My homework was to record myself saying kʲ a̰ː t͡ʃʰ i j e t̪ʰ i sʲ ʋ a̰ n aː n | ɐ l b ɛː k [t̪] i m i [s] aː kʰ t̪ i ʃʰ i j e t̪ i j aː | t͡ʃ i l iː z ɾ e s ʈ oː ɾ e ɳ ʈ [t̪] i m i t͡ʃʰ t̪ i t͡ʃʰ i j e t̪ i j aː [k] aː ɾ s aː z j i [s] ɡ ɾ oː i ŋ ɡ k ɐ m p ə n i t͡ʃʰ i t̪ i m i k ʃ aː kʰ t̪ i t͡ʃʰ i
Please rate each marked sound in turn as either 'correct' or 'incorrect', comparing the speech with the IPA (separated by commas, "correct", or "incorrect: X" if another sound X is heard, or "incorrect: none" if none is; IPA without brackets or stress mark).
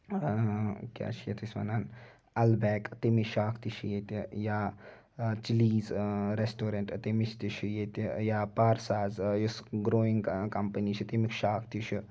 correct, incorrect: ʃ, correct, incorrect: p, correct